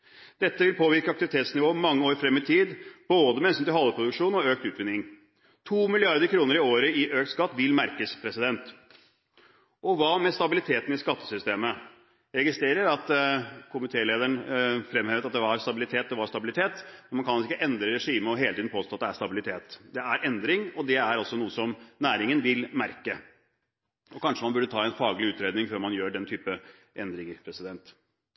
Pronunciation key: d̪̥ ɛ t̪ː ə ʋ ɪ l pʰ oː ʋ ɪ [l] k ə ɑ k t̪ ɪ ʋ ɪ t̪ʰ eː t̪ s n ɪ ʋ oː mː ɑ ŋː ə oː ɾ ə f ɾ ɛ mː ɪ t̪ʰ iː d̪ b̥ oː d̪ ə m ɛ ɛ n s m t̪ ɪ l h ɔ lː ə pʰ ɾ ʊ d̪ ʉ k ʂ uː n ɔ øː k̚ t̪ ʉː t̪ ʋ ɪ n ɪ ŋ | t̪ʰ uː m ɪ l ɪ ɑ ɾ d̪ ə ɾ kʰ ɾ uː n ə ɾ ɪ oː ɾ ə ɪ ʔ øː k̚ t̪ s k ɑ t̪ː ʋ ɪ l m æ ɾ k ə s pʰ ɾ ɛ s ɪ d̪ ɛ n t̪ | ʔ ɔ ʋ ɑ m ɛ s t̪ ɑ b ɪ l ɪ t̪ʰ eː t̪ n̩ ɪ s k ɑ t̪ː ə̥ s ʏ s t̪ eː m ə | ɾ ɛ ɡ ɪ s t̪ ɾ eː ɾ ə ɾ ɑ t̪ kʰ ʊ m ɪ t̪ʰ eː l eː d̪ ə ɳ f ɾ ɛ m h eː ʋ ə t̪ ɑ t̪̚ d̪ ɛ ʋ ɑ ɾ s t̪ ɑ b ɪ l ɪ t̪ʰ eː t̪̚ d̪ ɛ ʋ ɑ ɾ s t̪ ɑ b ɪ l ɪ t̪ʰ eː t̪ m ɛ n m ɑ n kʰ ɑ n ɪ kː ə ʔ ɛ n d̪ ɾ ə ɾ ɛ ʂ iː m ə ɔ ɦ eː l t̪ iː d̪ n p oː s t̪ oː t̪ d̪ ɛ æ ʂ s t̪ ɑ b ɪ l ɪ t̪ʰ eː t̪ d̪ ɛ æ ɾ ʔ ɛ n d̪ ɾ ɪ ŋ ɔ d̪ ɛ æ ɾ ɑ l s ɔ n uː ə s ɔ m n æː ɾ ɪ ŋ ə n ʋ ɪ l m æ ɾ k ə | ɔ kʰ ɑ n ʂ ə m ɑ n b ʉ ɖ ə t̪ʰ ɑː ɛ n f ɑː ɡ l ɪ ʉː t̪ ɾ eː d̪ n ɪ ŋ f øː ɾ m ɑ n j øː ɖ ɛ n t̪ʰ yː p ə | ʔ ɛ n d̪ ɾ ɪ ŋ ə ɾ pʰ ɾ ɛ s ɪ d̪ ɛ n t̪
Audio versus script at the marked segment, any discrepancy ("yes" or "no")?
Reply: yes